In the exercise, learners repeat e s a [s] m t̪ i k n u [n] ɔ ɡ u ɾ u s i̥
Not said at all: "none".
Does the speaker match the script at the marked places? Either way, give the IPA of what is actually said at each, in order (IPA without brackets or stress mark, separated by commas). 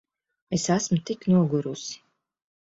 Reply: s, none